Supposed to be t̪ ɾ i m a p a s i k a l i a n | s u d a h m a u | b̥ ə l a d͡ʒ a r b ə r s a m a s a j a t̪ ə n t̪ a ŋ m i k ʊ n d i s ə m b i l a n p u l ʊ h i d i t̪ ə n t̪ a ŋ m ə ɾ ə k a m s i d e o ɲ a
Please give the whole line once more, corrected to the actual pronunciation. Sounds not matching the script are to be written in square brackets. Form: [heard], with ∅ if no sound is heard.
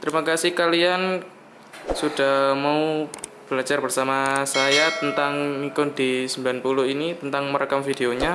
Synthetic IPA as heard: t̪ ɾ i m a [k] a s i k a l i a n | s u d a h m a u | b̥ ə l a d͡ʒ a r b ə r s a m a s a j a t̪ ə n t̪ a ŋ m i k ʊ n d i s ə m b i l a n p u l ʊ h i [n] i t̪ ə n t̪ a ŋ m ə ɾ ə k a m [f] i d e o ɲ a